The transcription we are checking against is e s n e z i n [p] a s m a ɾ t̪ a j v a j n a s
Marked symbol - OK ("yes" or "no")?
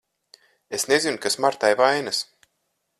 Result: no